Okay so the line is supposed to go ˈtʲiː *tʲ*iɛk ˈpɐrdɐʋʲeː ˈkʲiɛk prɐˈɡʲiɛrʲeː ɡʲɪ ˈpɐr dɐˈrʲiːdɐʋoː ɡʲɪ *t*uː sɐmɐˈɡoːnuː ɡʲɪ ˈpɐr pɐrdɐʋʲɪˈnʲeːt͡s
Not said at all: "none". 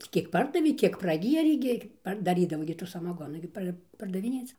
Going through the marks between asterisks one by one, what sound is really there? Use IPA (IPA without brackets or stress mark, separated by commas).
kʲ, t